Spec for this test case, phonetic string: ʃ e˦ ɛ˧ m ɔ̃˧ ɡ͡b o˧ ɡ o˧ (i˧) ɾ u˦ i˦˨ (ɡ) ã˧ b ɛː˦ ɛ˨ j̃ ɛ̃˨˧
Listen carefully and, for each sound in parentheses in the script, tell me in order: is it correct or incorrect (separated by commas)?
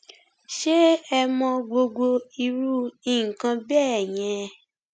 correct, incorrect